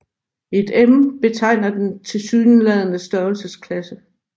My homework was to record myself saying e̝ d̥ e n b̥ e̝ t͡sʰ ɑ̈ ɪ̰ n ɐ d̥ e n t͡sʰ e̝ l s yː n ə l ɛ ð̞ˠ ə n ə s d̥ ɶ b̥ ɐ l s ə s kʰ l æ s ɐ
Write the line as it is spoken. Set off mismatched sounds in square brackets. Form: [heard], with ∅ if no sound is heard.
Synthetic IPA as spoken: e̝ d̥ e [m] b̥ e̝ t͡sʰ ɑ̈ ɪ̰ n ɐ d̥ e n t͡sʰ e̝ l s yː n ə l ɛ ð̞ˠ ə n ə s d̥ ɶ [∅] ɐ l s ə s kʰ l æ s [ə]